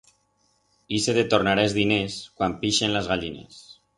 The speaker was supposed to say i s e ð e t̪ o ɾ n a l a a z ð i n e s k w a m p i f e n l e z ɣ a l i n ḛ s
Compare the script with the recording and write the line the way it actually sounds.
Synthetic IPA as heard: i s e ð e t̪ o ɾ n a ɾ a e z ð i n e s k w a m p i ʃ e n l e z ɣ a ʎ i n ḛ s